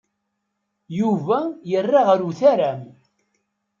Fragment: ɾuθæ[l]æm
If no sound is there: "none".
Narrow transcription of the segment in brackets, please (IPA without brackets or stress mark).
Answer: ɾ